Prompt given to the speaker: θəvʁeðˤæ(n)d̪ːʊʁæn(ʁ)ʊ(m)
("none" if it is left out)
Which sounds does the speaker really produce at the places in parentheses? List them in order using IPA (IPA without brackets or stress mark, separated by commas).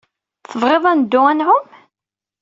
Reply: n, ʕ, m